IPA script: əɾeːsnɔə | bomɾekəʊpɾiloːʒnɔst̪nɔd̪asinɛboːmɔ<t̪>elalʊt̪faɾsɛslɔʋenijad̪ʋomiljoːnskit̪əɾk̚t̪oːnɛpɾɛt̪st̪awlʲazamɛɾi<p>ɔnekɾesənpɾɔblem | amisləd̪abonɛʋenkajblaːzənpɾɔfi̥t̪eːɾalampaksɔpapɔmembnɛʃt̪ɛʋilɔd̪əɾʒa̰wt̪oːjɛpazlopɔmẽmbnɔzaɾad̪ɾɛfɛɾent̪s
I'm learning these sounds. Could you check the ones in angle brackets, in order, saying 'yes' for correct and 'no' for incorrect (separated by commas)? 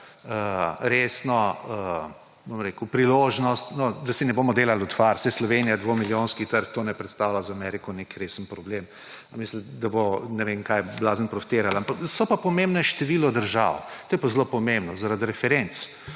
no, no